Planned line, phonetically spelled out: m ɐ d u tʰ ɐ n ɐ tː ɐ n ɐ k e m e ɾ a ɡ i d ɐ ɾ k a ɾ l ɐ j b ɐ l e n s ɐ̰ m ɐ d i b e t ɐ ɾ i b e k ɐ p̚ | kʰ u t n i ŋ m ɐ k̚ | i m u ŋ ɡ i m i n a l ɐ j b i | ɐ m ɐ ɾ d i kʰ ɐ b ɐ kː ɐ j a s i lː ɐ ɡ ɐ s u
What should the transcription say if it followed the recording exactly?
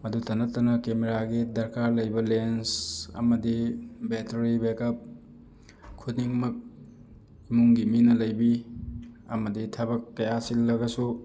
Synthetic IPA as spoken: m ɐ d u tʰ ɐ n ɐ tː ɐ n ɐ k e m e ɾ a ɡ i d ɐ ɾ k a ɾ l ɐ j b ɐ l e n s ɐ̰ m ɐ d i b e t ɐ ɾ i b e k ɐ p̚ | kʰ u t n i ŋ m ɐ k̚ | i m u ŋ ɡ i m i n ɐ l ɐ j b i | ɐ m ɐ d i tʰ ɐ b ɐ kː ɐ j a s i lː ɐ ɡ ɐ s u